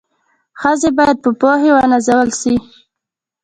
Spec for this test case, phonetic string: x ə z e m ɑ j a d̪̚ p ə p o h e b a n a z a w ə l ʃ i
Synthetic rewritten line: x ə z e b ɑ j a d̪̚ p ə p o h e w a n a z a w ə l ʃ i